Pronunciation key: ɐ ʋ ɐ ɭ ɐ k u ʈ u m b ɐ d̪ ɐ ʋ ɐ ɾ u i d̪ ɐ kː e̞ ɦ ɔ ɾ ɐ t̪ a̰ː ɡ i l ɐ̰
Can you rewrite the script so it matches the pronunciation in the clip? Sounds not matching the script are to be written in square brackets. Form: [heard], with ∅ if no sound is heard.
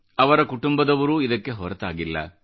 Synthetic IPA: ɐ ʋ ɐ [ɾ] ɐ k u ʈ u m b ɐ d̪ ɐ ʋ ɐ ɾ u i d̪ ɐ kː e̞ ɦ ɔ ɾ ɐ t̪ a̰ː ɡ i [lː] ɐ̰